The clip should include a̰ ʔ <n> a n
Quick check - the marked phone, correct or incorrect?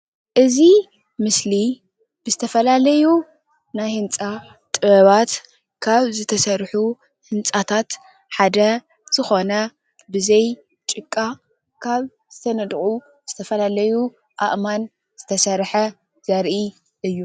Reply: incorrect